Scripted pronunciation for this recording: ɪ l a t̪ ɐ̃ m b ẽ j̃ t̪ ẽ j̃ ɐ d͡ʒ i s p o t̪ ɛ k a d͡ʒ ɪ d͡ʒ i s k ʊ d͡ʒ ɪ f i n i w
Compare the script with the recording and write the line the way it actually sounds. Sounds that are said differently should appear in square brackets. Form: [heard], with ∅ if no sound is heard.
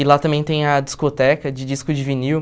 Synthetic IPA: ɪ l a t̪ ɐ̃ m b ẽ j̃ t̪ ẽ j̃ ɐ d͡ʒ i s [k] o t̪ ɛ k [ɐ] d͡ʒ ɪ d͡ʒ i s k ʊ d͡ʒ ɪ [v] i n i w